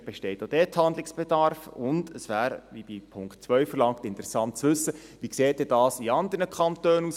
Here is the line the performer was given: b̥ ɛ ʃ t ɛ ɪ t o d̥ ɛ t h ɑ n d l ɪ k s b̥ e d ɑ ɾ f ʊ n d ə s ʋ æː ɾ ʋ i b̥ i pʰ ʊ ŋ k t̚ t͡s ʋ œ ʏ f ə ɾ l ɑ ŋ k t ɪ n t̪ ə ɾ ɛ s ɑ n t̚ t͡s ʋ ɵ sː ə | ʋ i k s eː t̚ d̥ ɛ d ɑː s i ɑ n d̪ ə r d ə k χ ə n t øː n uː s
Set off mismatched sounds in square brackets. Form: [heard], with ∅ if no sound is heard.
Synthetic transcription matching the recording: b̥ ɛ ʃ t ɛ ɪ t o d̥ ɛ t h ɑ n d l ɪ k s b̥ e d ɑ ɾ f ʊ n d ə s ʋ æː ɾ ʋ i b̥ i pʰ ʊ ŋ k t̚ t͡s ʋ œ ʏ f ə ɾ l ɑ ŋ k t ɪ n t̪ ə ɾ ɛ s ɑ n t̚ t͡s ʋ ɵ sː ə | ʋ i k s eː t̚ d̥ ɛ d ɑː s i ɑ n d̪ ə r [n] ə k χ [ɑ] n t øː n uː s